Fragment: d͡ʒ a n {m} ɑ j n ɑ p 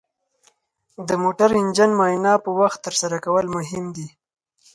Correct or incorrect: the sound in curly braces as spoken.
correct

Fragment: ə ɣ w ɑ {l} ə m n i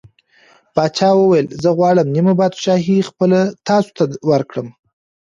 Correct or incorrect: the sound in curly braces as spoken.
incorrect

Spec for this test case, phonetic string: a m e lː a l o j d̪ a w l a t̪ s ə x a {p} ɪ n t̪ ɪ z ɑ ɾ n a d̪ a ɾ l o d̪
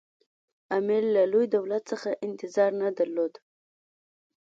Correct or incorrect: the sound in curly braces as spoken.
incorrect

